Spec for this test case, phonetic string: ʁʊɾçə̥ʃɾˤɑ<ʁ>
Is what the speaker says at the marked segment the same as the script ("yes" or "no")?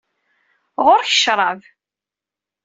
no